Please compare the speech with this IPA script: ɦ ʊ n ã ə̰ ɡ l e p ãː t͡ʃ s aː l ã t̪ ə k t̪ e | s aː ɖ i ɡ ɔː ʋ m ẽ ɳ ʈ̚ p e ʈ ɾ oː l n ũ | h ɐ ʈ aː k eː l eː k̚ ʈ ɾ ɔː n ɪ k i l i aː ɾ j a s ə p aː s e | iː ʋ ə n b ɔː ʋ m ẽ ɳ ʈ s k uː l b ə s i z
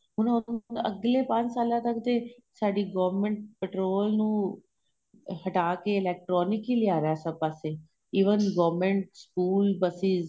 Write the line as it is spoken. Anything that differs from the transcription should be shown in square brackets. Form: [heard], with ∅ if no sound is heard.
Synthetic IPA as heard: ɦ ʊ n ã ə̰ ɡ l e p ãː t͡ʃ s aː l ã t̪ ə k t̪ e | s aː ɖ i ɡ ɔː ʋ m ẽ ɳ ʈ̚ p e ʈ ɾ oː l n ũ | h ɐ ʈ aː k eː l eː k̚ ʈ ɾ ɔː n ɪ k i l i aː ɾ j a s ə p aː s e | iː ʋ ə n [ɡ] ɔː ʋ m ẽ ɳ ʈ s k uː l b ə s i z